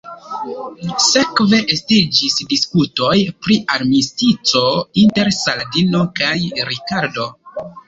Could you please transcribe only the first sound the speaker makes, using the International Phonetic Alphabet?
s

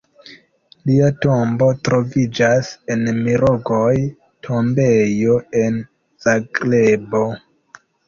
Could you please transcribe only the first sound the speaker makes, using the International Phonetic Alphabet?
l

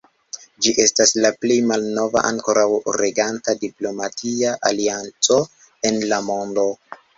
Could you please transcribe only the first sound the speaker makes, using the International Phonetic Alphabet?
d͡ʒ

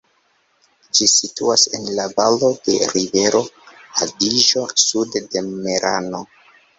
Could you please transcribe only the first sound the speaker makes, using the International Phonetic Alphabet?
d͡ʒ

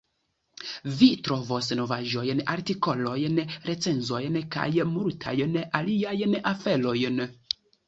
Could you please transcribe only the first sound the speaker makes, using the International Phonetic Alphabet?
v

